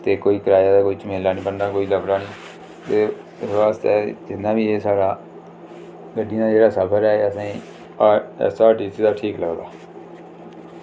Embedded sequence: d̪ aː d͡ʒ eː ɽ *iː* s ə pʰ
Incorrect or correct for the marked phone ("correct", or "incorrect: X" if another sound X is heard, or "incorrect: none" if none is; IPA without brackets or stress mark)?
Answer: incorrect: aː